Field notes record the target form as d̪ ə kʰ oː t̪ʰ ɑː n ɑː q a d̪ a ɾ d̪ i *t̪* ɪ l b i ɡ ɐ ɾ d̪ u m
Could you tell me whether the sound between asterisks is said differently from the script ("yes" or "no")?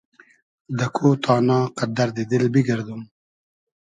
yes